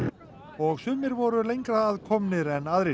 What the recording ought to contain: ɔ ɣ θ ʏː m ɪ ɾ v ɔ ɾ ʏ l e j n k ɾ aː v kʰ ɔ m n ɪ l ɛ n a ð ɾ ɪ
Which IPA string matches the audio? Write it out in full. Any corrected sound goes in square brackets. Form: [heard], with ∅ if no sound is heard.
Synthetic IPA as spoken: ɔ ɣ [s] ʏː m ɪ ɾ v ɔ ɾ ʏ l e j [ŋ] k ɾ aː [ð] kʰ ɔ m n ɪ [ɾ] ɛ n a ð ɾ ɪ